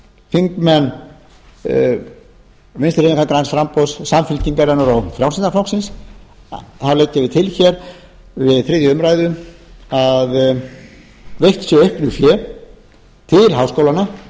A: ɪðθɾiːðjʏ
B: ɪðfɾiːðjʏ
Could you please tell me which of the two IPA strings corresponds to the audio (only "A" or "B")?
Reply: A